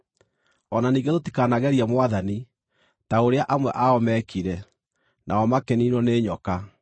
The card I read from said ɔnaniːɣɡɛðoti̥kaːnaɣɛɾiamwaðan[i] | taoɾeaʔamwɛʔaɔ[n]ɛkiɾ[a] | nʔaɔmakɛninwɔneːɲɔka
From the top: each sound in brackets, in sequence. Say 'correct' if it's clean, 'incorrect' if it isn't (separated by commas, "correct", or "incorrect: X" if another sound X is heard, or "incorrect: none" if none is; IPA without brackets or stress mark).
correct, incorrect: m, incorrect: ɛ